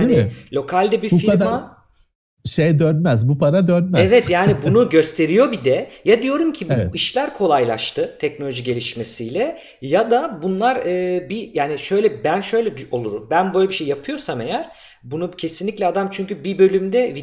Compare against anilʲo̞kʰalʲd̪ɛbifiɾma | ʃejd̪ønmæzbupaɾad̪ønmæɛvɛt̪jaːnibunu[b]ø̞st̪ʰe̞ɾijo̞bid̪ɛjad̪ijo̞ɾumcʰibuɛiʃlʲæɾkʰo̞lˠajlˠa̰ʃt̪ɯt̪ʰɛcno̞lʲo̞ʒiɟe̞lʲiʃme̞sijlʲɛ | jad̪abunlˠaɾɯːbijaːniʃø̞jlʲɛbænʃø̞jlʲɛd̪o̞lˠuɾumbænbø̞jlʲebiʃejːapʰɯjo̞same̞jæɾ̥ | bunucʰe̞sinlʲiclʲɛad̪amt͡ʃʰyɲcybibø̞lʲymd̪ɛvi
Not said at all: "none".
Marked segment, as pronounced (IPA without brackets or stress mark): ɟ